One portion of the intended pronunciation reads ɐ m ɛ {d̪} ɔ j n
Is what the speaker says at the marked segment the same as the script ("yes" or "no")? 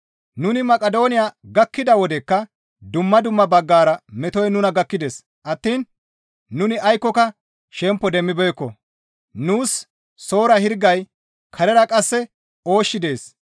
no